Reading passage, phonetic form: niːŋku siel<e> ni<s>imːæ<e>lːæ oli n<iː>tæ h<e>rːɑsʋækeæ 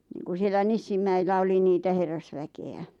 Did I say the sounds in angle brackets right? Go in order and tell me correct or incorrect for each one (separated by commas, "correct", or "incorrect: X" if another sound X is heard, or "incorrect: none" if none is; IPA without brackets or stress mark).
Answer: incorrect: æ, incorrect: sː, incorrect: i, correct, correct